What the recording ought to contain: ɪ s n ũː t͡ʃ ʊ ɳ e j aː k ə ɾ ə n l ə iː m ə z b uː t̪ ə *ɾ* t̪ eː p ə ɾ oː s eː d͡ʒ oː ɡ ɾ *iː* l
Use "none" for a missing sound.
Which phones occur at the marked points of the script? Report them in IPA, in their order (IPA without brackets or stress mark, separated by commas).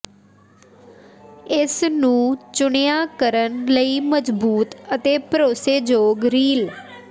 none, iː